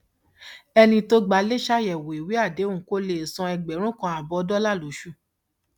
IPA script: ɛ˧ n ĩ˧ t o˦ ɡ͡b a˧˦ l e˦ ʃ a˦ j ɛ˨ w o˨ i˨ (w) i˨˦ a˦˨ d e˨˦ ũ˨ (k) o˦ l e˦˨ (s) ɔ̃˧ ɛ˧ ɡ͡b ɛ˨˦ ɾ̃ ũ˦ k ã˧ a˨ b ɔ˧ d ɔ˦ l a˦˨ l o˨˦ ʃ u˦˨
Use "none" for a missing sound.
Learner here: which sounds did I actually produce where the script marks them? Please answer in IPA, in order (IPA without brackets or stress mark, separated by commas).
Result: w, k, s